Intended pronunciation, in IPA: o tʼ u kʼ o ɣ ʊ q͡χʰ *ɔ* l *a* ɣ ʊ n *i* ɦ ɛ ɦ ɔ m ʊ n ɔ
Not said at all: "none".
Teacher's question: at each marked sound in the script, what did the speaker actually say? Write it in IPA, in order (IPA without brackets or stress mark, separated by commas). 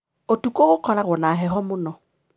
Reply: ɔ, a, a